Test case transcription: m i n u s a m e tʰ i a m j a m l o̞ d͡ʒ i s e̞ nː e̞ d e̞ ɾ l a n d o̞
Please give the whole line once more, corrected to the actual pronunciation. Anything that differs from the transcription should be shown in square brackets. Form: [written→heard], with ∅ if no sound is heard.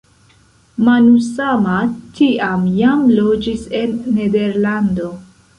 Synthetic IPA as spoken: m [i→a] n u s a m [e→a] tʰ i a m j a m l o̞ d͡ʒ i s e̞ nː e̞ d e̞ ɾ l a n d o̞

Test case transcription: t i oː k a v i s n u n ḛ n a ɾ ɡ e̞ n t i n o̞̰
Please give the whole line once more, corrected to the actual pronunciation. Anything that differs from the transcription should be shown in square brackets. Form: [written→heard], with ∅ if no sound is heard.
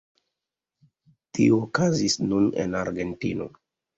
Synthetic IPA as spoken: t i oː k a [v→z] i s n u n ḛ n a ɾ ɡ e̞ n t i n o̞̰

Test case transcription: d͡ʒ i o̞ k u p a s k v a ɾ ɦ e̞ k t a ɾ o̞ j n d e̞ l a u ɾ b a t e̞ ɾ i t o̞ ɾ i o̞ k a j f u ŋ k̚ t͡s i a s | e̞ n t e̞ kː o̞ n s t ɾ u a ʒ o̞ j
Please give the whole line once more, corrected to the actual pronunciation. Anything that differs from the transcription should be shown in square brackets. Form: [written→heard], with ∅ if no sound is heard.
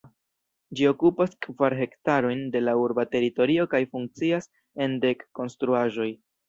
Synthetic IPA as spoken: d͡ʒ i o̞ k u p a s k v a ɾ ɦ e̞ k t a ɾ o̞ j n d e̞ l a u ɾ b a t e̞ ɾ i t o̞ ɾ i o̞ k a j f u ŋ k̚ t͡s i a s | e̞ n [t→d] e̞ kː o̞ n s t ɾ u a ʒ o̞ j

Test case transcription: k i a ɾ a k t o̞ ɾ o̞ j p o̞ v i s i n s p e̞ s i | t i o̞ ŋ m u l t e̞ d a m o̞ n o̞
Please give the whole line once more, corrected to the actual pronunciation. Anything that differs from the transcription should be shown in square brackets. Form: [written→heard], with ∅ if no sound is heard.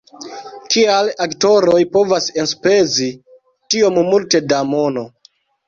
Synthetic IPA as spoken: k i a [ɾ→l] a k t o̞ ɾ o̞ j p o̞ v [i→a] s [i→e] n s p e̞ [s→z] i | t i o̞ [ŋ→m] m u l t e̞ d a m o̞ n o̞

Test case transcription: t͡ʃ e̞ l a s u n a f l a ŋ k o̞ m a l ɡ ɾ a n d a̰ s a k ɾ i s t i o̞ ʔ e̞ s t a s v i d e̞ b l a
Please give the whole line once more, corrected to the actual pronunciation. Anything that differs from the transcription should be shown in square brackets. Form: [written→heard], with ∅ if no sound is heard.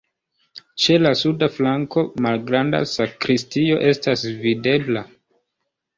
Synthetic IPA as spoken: t͡ʃ e̞ l a s u [n→d] a f l a ŋ k o̞ m a l ɡ ɾ a n d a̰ s a k ɾ i s t i o̞ ʔ e̞ s t a s v i d e̞ b l a

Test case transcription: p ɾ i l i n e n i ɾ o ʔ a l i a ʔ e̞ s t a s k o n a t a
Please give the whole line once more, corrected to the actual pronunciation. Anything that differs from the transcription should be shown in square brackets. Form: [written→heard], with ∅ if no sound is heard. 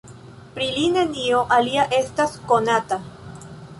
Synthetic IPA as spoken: p ɾ i l i n e n i [ɾ→∅] o ʔ a l i a ʔ e̞ s t a s k o n a t a

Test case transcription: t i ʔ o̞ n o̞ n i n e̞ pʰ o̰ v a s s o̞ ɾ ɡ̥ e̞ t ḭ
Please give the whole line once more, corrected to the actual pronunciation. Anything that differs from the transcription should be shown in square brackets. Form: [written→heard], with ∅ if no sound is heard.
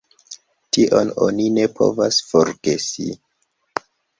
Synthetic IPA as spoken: t i ʔ o̞ n o̞ n i n e̞ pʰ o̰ v a s [s→f] o̞ ɾ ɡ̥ e̞ [t→s] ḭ

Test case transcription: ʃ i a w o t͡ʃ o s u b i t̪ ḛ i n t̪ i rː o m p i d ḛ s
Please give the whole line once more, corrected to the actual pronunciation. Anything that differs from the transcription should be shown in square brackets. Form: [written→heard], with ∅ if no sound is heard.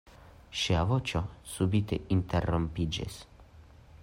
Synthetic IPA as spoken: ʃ i a [w→v] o t͡ʃ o s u b i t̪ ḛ i n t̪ [i→e] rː o m p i [d→d͡ʒ] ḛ s

